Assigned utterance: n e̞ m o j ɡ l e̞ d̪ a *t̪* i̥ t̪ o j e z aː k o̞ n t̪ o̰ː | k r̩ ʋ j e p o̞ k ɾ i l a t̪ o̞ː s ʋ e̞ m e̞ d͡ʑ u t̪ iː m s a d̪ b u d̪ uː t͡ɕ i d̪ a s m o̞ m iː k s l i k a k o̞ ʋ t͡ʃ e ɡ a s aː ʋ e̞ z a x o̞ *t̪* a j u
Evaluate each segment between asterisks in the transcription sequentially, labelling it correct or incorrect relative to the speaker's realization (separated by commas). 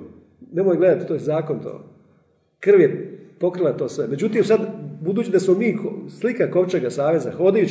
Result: correct, incorrect